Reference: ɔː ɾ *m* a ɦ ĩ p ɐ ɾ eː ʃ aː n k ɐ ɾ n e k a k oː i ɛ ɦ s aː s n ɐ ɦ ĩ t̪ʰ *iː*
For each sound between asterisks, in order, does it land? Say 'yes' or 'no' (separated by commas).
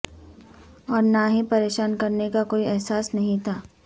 no, no